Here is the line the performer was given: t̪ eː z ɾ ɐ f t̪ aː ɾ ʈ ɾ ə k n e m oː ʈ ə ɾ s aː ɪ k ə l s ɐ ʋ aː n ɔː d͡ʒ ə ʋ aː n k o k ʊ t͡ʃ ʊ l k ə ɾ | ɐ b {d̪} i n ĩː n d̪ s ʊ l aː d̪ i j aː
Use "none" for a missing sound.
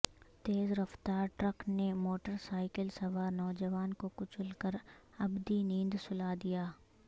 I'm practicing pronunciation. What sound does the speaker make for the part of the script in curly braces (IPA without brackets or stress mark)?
d̪